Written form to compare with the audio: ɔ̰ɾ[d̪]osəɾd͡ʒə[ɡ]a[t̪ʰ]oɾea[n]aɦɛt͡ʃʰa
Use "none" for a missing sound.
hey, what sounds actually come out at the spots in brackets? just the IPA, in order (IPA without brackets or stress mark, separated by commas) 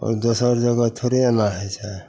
d̪, ɡ, t̪ʰ, n